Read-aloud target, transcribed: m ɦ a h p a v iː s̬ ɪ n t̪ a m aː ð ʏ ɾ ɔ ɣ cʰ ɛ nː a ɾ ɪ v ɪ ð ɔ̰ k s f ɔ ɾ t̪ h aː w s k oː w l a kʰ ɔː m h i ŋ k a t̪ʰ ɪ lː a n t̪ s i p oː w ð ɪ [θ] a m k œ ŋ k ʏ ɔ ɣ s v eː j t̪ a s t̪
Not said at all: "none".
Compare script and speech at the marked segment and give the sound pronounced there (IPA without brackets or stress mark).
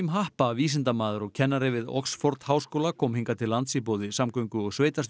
s